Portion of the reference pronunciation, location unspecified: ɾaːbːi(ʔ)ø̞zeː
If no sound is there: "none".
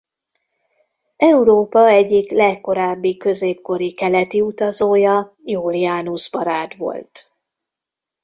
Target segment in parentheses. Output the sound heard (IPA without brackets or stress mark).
k